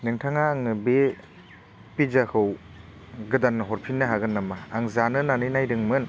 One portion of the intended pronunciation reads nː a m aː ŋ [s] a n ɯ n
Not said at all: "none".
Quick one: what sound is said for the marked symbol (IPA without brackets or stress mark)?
z